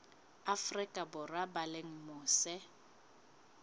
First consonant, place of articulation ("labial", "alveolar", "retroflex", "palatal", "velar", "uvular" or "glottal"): labial